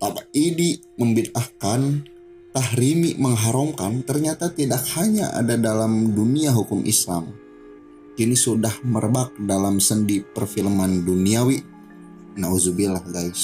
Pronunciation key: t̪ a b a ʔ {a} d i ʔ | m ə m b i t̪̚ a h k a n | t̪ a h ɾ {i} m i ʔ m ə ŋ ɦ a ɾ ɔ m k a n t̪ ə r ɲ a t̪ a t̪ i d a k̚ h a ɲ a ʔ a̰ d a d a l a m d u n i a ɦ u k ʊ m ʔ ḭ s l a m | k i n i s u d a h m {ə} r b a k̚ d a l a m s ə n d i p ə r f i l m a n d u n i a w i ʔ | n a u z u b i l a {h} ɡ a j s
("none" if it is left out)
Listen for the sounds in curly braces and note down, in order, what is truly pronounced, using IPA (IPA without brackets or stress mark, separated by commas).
i, i, ə, h